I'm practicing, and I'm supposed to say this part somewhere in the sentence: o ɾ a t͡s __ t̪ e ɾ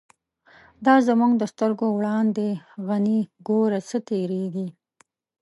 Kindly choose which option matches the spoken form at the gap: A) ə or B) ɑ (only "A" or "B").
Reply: A